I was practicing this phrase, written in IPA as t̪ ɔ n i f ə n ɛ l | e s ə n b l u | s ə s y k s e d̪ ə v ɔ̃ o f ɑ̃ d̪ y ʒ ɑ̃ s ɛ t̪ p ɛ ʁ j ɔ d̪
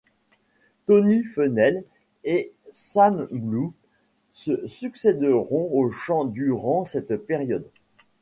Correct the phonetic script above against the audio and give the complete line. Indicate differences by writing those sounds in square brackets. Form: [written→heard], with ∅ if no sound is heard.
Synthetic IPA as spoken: t̪ ɔ n i f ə n ɛ l | e s [ə→a] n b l u | s ə s y k s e d̪ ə [v→ʁ] ɔ̃ o [f→ʃ] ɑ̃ d̪ y [ʒ→ʁ] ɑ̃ s ɛ t̪ p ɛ ʁ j ɔ d̪